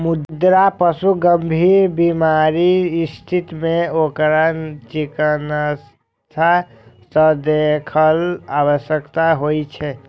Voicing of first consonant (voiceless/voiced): voiced